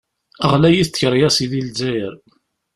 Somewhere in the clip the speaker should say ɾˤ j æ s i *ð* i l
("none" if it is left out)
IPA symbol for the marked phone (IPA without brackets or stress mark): ð